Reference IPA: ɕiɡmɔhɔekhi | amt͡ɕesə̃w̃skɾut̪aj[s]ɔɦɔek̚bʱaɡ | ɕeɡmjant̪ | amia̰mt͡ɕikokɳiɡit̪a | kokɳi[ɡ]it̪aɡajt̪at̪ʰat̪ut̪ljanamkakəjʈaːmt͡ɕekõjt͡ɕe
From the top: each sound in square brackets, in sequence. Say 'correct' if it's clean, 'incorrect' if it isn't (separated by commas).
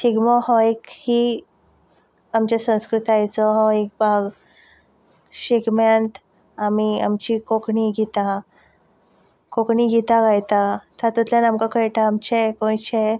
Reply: incorrect, correct